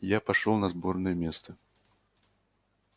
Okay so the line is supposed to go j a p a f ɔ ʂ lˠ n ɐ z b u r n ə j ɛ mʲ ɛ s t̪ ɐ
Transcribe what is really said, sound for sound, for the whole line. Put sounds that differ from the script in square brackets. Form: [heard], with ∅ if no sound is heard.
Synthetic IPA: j a p a [ʂ] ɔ [∅] lˠ n ɐ z b [ɔ] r n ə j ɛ mʲ ɛ s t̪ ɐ

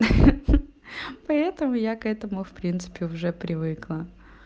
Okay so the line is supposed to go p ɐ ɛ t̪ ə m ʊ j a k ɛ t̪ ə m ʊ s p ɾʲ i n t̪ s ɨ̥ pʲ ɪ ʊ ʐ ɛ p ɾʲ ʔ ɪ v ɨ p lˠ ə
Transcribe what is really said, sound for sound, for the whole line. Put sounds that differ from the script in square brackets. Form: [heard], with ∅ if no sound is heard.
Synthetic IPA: p ɐ ɛ t̪ ə m ʊ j a k ɛ t̪ ə m ʊ [f] p ɾʲ i n t̪ s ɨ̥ pʲ ɪ ʊ ʐ ɛ p ɾʲ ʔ ɪ v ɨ [k] lˠ ə

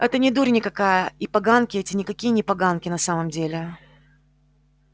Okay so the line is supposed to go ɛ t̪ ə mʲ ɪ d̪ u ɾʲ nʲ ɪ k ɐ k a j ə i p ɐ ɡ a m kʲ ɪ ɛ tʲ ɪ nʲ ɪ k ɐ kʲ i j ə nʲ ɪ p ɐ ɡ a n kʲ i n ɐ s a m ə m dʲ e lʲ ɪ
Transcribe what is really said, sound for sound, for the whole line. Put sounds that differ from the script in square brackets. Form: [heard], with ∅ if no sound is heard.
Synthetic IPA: ɛ t̪ ə [nʲ] ɪ d̪ u ɾʲ nʲ ɪ k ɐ k a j ə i p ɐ ɡ a [n] kʲ ɪ ɛ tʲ ɪ nʲ ɪ k ɐ kʲ i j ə nʲ ɪ p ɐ ɡ a n kʲ [ɪ] n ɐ s a m ə m dʲ e lʲ ɪ

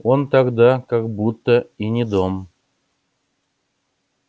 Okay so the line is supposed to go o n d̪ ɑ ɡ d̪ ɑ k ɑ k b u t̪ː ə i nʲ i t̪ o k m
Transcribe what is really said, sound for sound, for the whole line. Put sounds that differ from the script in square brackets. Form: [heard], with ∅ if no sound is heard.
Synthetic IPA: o n [t̪] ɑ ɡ d̪ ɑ k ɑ k b u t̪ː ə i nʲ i [d̪] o [∅] m

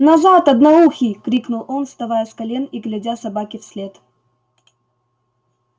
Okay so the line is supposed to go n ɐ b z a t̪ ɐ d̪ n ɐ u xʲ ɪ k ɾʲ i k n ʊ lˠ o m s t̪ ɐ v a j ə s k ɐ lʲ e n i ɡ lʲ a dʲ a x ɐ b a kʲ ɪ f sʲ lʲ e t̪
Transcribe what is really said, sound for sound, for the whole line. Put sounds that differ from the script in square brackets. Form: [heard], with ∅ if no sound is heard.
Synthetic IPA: n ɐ [∅] z a t̪ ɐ d̪ n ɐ u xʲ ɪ k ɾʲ i k n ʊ lˠ o [n] s t̪ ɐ v a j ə s k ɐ lʲ e n i ɡ lʲ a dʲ a [s] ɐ b a kʲ ɪ f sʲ lʲ e t̪

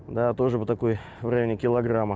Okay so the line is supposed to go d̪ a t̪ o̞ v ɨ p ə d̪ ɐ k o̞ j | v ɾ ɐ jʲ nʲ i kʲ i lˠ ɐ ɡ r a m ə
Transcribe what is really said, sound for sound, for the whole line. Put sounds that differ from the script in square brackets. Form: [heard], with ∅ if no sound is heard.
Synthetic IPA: d̪ a t̪ o̞ [ʐ] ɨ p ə [t̪] ɐ k o̞ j | v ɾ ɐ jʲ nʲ [ɪ] kʲ [ɪ] lˠ ɐ ɡ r a m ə

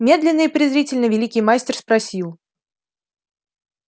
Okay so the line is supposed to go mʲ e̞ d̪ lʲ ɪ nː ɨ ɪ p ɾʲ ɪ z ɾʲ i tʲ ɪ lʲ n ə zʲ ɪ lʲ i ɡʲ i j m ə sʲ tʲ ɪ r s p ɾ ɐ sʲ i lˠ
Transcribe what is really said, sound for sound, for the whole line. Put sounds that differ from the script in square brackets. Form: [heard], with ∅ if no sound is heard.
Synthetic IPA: mʲ e̞ d̪ lʲ ɪ nː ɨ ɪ p ɾʲ ɪ z ɾʲ i tʲ ɪ lʲ n ə [vʲ] ɪ lʲ i [kʲ] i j m [a] sʲ tʲ ɪ r s p ɾ ɐ sʲ i lˠ

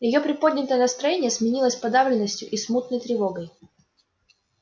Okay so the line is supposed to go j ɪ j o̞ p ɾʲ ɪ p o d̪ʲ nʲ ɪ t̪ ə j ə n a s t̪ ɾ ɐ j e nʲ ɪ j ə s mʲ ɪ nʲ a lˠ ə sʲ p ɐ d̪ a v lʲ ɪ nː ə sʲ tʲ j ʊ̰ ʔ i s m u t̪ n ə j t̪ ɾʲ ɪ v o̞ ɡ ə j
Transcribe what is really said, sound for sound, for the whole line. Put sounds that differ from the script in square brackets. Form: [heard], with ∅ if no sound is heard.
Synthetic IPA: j ɪ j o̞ p ɾʲ ɪ p o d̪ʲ nʲ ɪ t̪ ə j ə n [ə] s t̪ ɾ ɐ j e nʲ ɪ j ə s mʲ ɪ nʲ [i] lˠ ə sʲ p ɐ d̪ a v lʲ ɪ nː ə sʲ tʲ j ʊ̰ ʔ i s m u t̪ n ə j t̪ ɾʲ ɪ v o̞ ɡ ə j

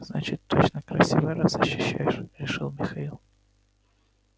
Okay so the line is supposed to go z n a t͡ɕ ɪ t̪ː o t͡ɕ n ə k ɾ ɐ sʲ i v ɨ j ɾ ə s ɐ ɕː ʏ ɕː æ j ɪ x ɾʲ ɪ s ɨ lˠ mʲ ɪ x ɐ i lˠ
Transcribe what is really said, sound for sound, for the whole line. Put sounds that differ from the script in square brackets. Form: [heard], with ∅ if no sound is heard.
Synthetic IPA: z n a t͡ɕ ɪ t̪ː o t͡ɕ n ə k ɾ ɐ sʲ i v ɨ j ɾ [a] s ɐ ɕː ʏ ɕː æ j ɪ [ʂ] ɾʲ ɪ [ʂ] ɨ lˠ mʲ ɪ x ɐ i lˠ

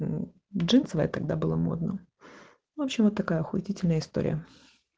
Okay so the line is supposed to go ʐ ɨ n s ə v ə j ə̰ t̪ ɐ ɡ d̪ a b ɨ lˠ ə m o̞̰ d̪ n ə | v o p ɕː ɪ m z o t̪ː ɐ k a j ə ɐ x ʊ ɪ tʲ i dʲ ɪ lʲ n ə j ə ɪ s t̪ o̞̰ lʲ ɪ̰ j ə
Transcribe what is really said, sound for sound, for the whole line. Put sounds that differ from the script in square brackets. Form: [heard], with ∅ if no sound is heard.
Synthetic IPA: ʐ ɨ n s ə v ə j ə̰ t̪ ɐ ɡ d̪ a b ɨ lˠ ə m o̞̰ d̪ n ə | v o p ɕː ɪ m [v] o t̪ː ɐ k a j ə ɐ x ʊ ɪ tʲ i [tʲ] ɪ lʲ n ə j ə ɪ s t̪ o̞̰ [ɾʲ] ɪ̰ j ə

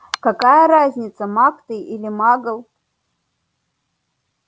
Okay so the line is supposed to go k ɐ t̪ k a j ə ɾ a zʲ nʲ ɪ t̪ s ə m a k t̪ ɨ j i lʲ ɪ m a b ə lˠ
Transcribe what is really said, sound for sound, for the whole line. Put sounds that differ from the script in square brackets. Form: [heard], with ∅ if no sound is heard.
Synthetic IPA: k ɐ [∅] k a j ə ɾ a zʲ nʲ ɪ t̪ s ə m a k t̪ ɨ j i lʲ ɪ m a [ɡ] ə lˠ

